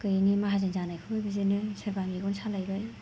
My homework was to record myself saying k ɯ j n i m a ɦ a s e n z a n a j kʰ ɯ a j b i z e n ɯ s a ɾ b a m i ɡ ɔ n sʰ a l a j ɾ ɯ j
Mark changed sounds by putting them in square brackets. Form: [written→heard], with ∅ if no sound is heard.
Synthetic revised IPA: k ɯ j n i m a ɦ a [s→z] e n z a n a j kʰ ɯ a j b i z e n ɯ s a ɾ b a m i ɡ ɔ n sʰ a l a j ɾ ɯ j